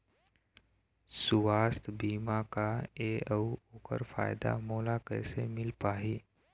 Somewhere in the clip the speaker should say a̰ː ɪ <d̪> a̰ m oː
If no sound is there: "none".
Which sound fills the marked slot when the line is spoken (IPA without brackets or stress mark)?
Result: d̪